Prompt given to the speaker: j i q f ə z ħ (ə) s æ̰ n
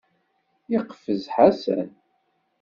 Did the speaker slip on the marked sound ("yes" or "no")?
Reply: yes